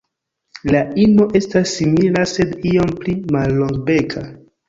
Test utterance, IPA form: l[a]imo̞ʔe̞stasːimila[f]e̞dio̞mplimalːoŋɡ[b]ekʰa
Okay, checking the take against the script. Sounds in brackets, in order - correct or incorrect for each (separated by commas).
correct, incorrect, correct